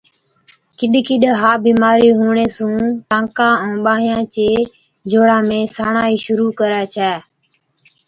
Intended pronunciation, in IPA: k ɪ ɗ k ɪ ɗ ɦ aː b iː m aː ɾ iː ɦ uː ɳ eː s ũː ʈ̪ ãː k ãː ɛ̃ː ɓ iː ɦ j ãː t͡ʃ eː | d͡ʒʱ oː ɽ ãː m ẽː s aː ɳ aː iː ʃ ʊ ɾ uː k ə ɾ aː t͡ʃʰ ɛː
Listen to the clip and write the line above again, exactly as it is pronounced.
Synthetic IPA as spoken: k ɪ ɗ k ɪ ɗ ɦ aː b iː m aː ɾ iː ɦ uː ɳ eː s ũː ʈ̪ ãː k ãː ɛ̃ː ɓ aː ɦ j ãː t͡ʃ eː | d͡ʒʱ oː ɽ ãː m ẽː s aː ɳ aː iː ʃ ʊ ɾ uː k ə ɾ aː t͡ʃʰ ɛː